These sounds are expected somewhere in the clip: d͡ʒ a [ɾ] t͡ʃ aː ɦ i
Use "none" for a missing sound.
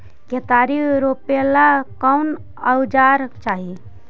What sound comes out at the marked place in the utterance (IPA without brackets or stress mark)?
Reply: ɾ